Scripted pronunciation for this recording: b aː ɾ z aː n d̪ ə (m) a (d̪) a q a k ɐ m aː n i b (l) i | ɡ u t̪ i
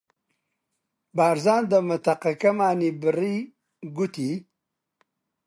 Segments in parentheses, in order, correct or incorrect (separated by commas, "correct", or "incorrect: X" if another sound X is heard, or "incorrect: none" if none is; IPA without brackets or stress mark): correct, incorrect: t̪, incorrect: ɾ